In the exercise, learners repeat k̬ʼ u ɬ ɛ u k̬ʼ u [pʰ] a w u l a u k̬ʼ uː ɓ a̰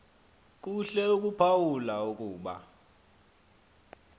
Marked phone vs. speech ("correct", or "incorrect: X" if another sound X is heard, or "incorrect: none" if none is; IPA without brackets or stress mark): correct